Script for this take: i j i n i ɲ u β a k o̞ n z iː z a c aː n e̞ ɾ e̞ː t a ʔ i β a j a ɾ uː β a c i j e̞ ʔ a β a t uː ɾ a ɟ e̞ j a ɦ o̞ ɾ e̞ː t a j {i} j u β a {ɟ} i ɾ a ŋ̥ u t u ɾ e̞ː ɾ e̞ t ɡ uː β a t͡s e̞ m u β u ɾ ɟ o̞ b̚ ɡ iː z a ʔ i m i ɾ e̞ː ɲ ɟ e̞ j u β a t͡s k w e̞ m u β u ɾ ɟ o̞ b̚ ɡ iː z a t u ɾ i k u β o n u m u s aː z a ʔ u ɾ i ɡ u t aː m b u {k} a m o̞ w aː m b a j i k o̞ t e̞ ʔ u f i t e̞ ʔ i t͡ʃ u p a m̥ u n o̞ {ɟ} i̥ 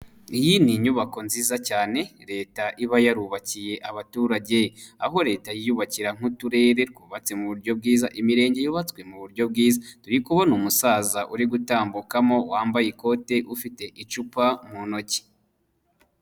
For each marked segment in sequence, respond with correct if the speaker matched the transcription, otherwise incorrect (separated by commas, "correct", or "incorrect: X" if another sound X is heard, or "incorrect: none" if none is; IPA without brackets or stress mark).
correct, incorrect: c, correct, incorrect: c